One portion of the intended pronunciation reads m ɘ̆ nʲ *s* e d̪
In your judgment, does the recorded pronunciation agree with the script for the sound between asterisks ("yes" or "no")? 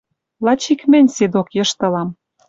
yes